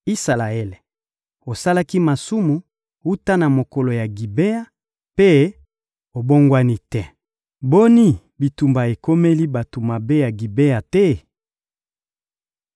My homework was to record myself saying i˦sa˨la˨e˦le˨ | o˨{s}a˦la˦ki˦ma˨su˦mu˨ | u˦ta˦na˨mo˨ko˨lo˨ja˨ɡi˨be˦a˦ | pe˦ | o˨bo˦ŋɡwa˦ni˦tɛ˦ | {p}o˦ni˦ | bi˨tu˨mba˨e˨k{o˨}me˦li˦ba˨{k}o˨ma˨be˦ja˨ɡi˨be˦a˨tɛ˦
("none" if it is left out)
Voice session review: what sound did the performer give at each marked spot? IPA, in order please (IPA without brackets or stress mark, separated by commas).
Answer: s, b, o˦, t